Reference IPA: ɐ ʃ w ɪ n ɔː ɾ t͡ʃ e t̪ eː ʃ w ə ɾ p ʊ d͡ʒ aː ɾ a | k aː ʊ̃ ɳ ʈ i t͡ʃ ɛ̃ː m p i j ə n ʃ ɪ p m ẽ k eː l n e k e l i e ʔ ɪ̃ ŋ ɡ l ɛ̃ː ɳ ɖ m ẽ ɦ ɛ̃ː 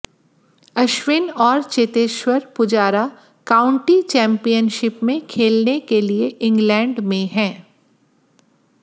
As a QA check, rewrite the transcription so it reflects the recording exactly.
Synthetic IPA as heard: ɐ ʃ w ɪ n ɔː ɾ t͡ʃ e t̪ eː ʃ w ə ɾ p ʊ d͡ʒ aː ɾ a | k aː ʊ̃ ɳ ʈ i t͡ʃ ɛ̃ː m p i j ə n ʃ ɪ p m ẽ kʰ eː l n e k e l i e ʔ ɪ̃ ŋ ɡ l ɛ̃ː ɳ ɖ m ẽ ɦ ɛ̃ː